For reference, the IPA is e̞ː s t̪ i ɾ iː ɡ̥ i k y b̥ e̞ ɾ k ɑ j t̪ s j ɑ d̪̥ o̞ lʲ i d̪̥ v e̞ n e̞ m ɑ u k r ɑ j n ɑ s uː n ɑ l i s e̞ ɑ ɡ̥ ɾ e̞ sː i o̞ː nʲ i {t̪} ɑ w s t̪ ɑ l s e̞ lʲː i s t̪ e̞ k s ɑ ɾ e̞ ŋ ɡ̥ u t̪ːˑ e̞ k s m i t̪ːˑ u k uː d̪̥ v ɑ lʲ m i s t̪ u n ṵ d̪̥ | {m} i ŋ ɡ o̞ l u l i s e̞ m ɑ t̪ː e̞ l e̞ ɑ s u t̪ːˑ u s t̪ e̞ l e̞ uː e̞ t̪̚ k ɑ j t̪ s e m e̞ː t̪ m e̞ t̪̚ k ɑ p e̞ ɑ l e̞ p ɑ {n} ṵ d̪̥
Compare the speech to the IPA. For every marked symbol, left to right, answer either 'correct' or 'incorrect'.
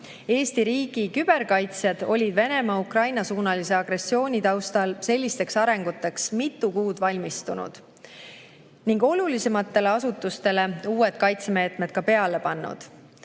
correct, incorrect: n, incorrect: nː

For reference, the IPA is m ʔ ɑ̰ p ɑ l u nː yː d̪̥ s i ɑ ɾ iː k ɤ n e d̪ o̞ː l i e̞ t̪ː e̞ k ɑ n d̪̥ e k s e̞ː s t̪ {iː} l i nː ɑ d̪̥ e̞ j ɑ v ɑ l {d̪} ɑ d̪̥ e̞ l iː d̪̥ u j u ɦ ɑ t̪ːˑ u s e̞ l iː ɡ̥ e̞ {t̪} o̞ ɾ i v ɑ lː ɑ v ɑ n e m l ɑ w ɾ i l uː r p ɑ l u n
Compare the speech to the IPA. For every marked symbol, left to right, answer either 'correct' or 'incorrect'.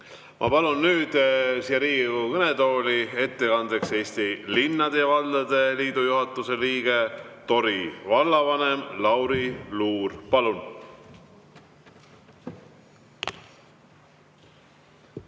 incorrect: i, correct, correct

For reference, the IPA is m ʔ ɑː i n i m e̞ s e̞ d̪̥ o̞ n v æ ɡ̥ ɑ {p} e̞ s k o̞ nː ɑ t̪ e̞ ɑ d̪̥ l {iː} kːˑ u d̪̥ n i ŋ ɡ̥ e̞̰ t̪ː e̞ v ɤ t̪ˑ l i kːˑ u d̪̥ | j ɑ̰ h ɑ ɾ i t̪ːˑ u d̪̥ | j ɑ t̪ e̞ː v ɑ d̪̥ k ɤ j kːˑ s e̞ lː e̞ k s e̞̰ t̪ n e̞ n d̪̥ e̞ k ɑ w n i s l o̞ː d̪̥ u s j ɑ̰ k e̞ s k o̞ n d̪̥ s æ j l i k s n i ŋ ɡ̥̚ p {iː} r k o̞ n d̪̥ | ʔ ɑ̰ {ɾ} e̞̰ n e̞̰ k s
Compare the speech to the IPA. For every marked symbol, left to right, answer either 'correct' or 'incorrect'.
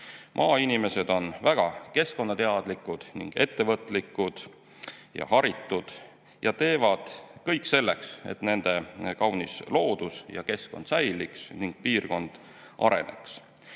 incorrect: k, incorrect: i, correct, correct

